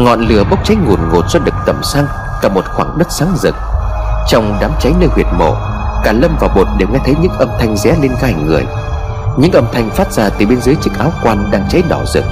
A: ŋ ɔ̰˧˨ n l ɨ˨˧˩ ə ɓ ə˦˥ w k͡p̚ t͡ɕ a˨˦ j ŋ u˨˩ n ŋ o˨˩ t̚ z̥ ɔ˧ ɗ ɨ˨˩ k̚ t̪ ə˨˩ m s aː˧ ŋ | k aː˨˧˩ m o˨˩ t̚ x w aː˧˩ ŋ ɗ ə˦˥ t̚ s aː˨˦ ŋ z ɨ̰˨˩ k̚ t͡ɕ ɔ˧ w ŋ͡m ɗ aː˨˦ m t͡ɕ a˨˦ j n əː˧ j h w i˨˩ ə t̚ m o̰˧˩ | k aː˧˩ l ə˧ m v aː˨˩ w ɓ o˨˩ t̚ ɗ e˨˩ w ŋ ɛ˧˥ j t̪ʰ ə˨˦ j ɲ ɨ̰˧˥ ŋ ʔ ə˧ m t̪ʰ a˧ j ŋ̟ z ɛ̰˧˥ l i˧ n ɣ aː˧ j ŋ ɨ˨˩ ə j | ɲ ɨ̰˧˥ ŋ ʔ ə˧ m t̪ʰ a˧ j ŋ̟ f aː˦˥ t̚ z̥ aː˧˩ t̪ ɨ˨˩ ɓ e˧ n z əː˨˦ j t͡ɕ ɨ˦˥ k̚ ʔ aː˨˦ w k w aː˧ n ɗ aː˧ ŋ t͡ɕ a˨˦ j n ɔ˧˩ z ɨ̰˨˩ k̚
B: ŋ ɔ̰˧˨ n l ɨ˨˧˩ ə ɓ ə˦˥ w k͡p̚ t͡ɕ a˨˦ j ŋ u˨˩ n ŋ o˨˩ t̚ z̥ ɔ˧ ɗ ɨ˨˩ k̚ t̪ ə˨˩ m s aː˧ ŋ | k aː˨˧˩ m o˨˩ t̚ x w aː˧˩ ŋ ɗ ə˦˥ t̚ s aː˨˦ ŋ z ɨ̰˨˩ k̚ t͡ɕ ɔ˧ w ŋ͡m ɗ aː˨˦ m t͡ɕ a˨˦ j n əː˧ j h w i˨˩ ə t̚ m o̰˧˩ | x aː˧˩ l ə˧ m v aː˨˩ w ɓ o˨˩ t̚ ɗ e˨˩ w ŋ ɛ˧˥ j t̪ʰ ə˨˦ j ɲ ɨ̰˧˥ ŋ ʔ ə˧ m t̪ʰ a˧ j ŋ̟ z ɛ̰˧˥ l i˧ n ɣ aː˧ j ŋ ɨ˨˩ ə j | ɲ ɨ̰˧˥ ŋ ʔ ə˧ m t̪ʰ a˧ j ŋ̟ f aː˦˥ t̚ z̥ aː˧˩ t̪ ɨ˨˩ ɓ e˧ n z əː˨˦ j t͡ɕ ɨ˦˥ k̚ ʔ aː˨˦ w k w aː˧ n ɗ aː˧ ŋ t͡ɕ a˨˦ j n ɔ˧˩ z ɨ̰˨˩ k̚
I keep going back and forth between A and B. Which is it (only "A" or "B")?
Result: A